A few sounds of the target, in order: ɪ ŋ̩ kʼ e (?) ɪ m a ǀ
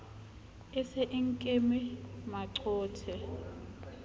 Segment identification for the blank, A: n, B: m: B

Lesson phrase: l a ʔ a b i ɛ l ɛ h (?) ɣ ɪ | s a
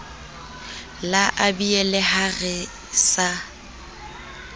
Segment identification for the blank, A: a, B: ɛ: A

